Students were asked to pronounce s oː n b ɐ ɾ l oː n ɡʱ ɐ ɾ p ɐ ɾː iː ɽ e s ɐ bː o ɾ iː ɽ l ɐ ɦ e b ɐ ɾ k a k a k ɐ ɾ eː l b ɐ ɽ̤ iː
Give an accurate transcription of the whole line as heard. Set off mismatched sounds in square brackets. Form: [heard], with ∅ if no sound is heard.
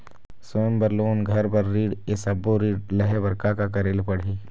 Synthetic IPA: s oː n b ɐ ɾ l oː n ɡʱ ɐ ɾ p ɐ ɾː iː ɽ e s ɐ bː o ɾ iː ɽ l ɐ ɦ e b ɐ ɾ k a k a k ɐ ɾ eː l [p] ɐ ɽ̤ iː